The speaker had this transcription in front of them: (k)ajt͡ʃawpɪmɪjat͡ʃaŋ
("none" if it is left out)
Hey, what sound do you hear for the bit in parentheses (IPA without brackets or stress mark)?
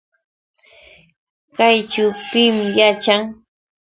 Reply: k